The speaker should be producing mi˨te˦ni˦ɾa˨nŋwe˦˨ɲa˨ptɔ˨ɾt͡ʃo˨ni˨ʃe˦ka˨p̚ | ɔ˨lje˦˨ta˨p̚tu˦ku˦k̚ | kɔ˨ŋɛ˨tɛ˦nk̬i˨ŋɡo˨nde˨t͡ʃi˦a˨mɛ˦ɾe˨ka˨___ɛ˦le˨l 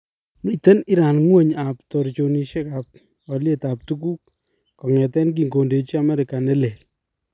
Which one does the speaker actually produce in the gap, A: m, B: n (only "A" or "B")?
B